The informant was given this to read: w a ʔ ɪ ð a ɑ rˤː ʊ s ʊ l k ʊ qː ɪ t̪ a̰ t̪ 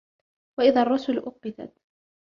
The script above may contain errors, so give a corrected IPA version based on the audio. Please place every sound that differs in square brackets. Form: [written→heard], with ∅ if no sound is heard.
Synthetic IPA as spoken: w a ʔ ɪ ð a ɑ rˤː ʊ s ʊ l [k→ʔ] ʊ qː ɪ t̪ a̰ t̪